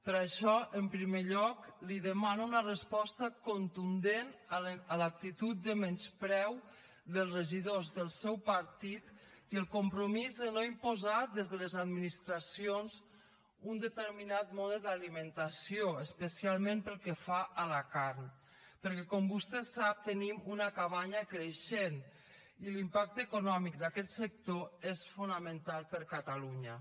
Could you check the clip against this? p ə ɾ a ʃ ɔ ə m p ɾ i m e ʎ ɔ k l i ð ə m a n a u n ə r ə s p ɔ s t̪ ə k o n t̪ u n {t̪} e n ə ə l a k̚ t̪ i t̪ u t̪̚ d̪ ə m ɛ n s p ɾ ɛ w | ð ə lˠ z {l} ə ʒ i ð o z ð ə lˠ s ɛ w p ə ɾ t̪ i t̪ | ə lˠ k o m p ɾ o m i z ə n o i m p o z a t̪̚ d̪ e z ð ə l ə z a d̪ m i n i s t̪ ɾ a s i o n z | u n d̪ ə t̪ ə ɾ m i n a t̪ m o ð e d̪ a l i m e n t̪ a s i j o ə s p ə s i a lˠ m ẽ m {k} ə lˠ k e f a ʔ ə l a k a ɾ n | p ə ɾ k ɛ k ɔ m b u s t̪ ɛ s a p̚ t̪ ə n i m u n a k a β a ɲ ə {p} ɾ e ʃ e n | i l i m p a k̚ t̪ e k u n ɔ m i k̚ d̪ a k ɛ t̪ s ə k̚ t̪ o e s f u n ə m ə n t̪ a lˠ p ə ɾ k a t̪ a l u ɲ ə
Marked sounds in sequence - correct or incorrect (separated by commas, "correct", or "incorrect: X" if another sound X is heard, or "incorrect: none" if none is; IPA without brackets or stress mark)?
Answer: incorrect: d̪, incorrect: r, incorrect: p, incorrect: k